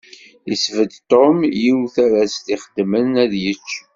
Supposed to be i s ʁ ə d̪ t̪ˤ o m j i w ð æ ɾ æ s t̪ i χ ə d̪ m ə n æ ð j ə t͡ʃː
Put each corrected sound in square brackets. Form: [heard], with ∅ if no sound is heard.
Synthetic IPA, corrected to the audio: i s [v] ə d̪ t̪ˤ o m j i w [θ] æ ɾ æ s t̪ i χ ə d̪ m ə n æ ð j ə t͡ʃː